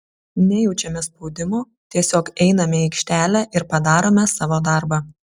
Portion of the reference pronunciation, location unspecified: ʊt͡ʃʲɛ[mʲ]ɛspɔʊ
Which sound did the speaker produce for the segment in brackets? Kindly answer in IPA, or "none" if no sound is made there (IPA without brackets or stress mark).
mʲ